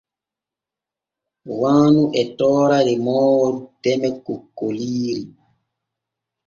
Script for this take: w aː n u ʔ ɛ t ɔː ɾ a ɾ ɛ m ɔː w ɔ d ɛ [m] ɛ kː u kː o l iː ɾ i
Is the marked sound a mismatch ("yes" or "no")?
no